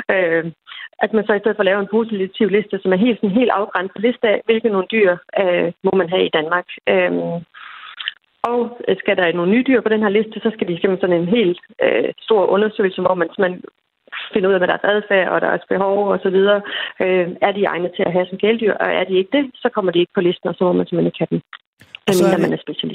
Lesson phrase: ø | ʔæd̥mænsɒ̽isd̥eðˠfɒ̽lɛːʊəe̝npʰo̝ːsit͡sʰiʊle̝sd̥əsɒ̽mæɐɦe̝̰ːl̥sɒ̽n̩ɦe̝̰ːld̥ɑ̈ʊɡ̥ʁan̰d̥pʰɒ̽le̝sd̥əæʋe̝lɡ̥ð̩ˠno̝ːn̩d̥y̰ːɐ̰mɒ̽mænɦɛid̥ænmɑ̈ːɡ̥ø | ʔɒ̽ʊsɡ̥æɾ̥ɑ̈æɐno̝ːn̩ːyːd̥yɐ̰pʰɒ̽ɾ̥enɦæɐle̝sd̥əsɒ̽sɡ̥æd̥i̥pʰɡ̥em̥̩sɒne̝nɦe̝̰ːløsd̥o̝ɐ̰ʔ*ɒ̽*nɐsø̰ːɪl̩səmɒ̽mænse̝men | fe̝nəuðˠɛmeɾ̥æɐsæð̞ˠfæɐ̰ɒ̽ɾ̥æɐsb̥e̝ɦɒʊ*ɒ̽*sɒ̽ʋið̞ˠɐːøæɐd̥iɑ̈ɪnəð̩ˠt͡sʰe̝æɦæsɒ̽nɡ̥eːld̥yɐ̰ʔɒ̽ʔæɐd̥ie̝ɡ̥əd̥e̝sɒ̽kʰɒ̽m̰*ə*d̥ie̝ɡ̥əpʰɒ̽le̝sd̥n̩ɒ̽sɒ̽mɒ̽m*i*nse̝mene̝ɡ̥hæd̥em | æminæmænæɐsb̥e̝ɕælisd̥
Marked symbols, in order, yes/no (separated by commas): no, yes, no, no